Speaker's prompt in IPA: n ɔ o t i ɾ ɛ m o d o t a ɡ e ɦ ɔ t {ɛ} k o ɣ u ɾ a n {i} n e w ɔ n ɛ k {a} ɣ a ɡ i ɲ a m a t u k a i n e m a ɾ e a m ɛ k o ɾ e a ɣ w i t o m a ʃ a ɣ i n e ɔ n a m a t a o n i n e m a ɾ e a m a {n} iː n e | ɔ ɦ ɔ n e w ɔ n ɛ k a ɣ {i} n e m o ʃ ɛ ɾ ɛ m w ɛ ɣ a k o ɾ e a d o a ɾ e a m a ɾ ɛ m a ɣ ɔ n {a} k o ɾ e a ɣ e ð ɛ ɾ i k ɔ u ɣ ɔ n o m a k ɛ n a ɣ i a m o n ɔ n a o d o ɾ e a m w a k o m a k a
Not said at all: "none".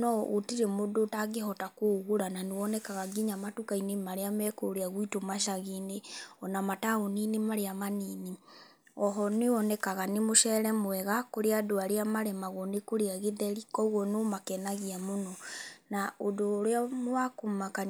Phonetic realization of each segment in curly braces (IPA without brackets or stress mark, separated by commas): a, a, a, n, a, e